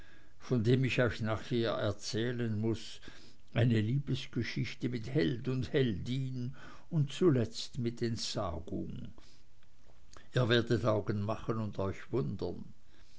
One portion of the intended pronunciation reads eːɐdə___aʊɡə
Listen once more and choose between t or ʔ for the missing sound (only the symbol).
t